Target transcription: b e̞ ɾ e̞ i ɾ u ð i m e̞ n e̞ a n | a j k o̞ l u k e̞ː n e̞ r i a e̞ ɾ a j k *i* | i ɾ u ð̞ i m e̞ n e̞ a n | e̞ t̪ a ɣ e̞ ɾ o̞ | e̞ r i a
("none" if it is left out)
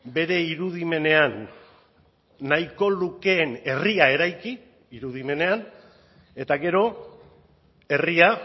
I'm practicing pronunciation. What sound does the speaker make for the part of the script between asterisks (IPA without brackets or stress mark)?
i